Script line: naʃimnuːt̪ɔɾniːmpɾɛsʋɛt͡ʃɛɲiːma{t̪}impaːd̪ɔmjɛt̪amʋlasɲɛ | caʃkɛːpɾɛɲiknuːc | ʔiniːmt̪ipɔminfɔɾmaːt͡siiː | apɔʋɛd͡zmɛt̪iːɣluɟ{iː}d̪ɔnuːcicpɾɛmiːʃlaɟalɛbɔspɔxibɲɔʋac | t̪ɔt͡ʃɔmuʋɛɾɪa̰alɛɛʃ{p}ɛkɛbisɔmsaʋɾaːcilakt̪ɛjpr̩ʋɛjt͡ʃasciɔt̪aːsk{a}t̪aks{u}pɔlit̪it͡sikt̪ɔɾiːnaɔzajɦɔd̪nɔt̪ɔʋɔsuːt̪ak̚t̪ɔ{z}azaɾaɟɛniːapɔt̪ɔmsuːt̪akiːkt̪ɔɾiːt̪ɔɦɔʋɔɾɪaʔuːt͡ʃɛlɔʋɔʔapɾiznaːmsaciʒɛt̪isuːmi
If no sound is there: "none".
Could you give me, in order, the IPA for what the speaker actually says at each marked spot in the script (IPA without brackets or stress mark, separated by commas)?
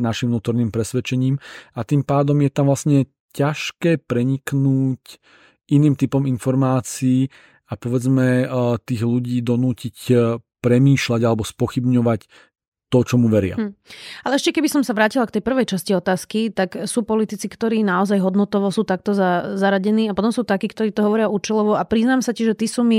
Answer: t̪, iː, c, i, uː, z